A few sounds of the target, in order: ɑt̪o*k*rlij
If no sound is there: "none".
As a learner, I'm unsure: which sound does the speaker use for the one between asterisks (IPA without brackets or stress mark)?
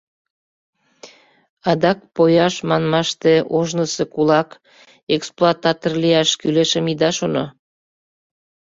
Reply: none